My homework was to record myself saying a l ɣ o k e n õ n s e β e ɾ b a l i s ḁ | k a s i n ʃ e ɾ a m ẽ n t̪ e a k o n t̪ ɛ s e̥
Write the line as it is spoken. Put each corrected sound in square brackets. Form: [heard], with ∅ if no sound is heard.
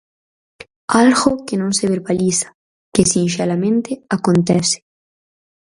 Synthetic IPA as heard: a l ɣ o k e n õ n s e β e ɾ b a l i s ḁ | k [e] s i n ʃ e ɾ a m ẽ n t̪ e a k o n t̪ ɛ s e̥